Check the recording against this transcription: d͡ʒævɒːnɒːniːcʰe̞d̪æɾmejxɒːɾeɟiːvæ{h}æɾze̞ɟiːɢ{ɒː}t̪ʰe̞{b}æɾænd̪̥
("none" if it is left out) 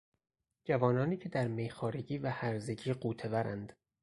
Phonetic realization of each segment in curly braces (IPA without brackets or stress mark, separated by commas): h, uː, v